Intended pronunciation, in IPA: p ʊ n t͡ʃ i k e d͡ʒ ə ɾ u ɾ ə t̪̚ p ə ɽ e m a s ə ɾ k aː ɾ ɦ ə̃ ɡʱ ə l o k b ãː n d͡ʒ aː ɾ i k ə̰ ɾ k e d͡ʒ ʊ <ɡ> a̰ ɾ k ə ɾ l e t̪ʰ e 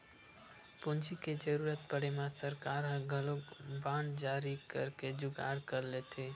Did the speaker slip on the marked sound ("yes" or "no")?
no